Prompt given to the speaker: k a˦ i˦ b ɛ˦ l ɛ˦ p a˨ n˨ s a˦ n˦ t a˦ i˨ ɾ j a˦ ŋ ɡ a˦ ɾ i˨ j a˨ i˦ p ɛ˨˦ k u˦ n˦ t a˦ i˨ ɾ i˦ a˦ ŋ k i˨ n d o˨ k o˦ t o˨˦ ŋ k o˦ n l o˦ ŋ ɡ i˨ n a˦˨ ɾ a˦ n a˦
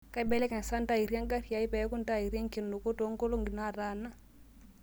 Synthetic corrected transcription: k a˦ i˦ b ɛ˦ l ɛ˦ k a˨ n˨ s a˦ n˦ t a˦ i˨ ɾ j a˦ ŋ ɡ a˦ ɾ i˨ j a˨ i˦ p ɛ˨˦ k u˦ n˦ t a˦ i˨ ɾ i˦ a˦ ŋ k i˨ n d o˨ k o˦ t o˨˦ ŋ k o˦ l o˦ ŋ ɡ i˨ n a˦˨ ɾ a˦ n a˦